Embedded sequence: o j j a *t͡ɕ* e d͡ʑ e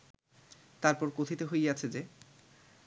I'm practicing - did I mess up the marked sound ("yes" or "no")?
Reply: yes